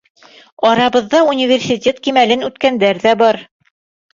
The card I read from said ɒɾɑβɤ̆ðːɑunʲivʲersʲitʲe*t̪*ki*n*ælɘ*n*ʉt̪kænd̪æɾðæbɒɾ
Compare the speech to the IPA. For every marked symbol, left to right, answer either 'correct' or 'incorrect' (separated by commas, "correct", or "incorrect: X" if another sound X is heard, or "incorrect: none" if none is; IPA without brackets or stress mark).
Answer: correct, incorrect: m, correct